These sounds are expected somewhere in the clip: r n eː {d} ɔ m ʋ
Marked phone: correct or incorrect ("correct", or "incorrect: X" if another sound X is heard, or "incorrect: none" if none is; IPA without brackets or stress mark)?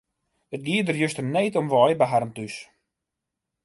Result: incorrect: t